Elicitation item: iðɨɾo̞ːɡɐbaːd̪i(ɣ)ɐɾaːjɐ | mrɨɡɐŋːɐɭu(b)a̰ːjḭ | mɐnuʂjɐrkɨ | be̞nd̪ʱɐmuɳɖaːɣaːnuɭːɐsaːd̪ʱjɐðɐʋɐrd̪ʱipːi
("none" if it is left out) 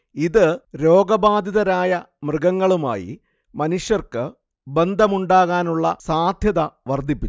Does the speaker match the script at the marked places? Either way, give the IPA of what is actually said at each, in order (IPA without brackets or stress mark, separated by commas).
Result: ð, m